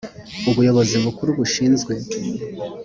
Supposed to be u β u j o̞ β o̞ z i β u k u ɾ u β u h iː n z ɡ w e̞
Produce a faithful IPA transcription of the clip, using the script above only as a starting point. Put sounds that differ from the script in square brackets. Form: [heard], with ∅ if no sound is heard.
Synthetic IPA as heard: u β u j o̞ β o̞ z i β u k u ɾ u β u [ʃ] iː n z ɡ w e̞